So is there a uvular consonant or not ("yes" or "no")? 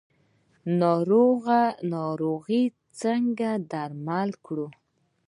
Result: no